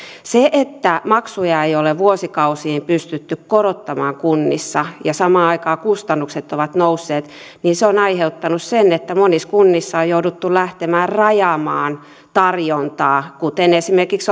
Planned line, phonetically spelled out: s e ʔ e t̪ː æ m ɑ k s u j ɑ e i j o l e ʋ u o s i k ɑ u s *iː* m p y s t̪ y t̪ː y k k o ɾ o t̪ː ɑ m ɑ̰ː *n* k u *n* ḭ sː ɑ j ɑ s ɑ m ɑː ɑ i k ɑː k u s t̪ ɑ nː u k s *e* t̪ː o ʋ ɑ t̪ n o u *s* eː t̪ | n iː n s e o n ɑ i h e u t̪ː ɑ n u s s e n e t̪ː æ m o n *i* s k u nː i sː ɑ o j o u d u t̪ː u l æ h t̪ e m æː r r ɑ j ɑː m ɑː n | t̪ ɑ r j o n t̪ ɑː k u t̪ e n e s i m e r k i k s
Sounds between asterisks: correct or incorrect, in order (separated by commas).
correct, incorrect, incorrect, correct, incorrect, correct